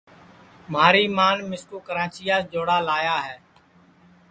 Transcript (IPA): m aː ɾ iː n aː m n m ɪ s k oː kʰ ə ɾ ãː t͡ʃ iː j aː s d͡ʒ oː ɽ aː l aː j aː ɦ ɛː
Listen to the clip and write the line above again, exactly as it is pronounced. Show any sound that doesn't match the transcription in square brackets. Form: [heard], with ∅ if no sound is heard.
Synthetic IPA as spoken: m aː ɾ iː [m] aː [∅] n m ɪ s k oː [k] ə ɾ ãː t͡ʃ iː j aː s d͡ʒ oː ɽ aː l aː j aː ɦ ɛː